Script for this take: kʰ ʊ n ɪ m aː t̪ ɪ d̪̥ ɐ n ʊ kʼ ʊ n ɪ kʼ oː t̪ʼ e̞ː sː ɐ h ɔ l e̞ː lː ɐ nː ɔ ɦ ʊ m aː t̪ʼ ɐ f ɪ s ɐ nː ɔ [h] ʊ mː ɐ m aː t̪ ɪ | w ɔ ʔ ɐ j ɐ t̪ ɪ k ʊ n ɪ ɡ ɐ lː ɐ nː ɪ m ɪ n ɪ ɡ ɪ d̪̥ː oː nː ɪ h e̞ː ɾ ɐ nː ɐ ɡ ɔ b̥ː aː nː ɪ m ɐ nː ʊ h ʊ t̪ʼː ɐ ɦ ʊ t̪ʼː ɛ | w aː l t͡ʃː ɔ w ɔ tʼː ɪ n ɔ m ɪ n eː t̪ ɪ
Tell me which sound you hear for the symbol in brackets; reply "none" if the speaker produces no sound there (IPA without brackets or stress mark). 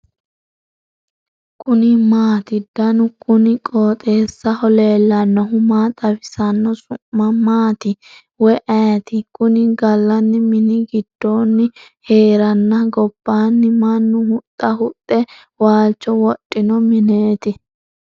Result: s